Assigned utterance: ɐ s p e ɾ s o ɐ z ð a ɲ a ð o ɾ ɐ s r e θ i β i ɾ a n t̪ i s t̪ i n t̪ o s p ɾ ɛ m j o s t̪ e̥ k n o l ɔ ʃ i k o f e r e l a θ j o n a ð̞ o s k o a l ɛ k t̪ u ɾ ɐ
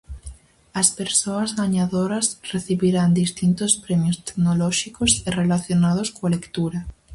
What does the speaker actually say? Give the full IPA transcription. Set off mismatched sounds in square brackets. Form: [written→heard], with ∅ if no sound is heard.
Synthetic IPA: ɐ s p e ɾ s o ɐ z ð a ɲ a ð o ɾ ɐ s r e θ i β i ɾ a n [t̪→d̪] i s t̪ i n t̪ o s p ɾ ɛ m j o s t̪ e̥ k n o l ɔ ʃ i k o [f→s] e r e l a θ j o n a ð̞ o s k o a l [ɛ→e] k t̪ u ɾ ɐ